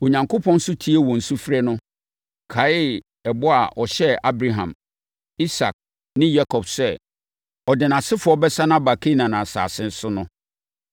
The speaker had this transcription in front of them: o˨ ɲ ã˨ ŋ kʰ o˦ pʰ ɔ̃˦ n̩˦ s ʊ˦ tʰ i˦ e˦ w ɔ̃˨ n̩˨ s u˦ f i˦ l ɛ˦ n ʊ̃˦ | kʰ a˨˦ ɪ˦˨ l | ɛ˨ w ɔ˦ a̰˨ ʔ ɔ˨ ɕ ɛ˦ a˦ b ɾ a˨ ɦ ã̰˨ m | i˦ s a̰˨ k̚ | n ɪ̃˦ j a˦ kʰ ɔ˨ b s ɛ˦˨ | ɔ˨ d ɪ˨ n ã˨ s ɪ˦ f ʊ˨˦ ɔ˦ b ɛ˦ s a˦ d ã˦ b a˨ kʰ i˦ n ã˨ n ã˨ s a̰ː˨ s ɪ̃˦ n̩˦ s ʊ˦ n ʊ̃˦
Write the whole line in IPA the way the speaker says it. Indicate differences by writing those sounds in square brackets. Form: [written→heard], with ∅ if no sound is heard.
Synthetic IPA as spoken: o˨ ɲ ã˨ ŋ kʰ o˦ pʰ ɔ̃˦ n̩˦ s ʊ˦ tʰ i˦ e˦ w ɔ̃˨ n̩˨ s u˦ f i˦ [l→ɾ] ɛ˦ n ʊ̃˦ | kʰ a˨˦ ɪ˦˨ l | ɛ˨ [w→b] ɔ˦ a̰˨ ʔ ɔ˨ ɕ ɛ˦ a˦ b ɾ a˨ ɦ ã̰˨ m | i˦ s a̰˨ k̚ | n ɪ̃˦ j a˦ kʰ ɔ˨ b s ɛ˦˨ | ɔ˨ d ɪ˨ n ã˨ s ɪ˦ f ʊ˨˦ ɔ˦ b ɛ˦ s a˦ [d→n] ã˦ b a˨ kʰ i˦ n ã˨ n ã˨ s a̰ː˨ s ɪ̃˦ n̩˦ s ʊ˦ n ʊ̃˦